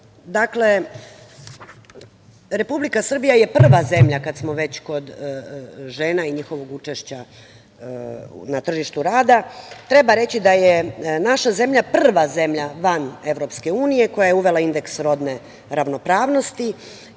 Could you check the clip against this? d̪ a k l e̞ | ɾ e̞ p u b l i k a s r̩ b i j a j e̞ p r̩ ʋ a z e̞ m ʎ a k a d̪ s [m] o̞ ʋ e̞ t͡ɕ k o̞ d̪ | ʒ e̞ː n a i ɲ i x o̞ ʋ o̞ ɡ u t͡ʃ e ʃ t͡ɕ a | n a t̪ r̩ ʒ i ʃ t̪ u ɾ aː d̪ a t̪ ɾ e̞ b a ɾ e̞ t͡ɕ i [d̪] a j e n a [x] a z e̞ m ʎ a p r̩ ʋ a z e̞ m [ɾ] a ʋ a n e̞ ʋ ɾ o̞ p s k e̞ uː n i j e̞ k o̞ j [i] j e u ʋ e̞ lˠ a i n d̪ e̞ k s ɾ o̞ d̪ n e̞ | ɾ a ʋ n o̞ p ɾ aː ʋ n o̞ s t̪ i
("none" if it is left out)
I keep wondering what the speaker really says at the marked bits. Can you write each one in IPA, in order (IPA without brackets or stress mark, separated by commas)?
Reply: m, d̪, ʃ, ʎ, a